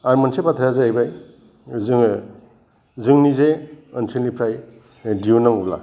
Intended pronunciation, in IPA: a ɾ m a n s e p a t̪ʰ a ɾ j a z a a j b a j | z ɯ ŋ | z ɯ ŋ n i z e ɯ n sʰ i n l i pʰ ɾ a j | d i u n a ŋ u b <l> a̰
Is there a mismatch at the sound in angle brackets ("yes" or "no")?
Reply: no